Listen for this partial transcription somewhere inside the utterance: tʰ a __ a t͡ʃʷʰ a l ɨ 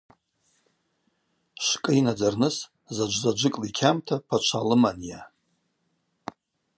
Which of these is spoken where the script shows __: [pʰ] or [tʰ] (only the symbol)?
pʰ